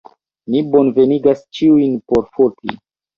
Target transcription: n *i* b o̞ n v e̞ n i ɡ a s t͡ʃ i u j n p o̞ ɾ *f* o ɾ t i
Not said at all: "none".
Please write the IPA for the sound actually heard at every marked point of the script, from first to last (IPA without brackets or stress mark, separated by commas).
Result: i, f